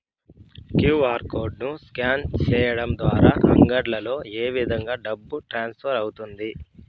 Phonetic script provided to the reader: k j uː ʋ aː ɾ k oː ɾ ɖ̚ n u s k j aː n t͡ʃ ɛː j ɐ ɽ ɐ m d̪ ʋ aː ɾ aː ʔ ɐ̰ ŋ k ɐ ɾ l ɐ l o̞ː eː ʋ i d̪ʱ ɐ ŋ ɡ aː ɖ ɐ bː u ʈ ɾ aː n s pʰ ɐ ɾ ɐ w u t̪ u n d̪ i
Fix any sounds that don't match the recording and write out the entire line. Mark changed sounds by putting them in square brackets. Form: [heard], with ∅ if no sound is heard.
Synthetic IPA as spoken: k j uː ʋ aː ɾ k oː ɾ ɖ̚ n u s k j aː n t͡ʃ ɛː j ɐ ɽ ɐ m d̪ ʋ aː ɾ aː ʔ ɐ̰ ŋ [ɡ] ɐ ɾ l ɐ l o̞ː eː ʋ i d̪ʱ ɐ ŋ ɡ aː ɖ ɐ bː u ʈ ɾ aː n s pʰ ɐ ɾ ɐ w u t̪ u n d̪ i